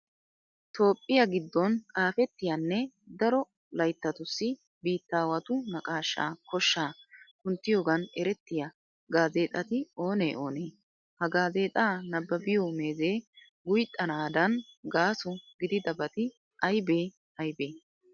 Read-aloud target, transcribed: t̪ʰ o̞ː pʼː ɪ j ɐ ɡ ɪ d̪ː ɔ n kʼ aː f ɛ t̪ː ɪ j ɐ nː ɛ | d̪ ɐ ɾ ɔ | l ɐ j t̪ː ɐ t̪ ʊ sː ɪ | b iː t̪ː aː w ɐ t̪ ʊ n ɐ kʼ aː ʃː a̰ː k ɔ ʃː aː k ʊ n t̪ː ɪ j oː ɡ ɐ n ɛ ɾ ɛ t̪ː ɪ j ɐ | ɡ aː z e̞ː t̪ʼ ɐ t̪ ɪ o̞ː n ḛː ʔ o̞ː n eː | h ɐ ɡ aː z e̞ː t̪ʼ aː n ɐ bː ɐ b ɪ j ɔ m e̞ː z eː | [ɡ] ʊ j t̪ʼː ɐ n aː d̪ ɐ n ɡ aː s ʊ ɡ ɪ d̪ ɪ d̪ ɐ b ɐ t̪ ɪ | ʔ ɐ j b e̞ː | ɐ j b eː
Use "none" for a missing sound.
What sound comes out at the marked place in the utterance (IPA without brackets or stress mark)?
ɡ